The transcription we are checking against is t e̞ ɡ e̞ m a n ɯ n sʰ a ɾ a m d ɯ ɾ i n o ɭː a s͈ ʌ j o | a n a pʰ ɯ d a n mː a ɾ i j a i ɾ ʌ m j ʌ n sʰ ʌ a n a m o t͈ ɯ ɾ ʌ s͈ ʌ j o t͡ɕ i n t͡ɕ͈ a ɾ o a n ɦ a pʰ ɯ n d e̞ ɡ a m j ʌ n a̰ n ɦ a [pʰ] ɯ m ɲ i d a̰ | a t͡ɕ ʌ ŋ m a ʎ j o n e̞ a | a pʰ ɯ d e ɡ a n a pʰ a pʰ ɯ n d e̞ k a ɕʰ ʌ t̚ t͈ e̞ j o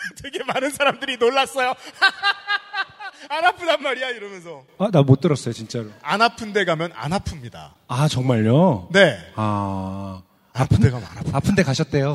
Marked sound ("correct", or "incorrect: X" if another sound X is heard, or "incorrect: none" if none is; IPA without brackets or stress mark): correct